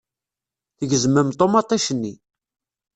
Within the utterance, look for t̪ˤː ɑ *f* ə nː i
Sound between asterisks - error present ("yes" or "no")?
yes